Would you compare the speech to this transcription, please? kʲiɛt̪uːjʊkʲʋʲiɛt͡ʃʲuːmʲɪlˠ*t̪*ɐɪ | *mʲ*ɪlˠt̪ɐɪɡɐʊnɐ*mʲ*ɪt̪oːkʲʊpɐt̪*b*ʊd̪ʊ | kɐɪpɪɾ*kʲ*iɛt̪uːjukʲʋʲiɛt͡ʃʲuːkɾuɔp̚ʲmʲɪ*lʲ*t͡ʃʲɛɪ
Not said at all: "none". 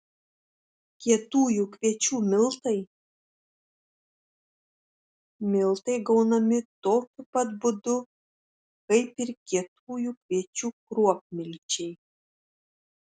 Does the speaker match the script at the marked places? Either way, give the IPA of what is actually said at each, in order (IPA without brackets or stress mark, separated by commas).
t̪, mʲ, mʲ, b, kʲ, lʲ